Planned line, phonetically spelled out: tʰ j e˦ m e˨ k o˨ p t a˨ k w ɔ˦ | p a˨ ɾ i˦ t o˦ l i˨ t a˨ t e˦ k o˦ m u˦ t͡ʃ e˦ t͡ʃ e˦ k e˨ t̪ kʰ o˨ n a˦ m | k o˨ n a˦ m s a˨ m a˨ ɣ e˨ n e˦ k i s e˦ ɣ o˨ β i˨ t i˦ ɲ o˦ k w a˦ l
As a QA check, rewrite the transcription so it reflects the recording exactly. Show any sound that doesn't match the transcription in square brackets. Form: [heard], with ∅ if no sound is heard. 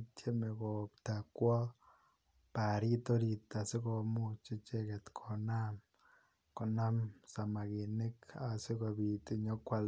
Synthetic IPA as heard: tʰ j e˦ m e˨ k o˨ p t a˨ k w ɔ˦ | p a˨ ɾ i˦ t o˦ [ɾ] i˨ t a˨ [s] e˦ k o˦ m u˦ t͡ʃ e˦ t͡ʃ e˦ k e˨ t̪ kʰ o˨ n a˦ m | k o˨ n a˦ m s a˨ m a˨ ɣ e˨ n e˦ k [a] s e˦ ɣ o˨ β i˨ t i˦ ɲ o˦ k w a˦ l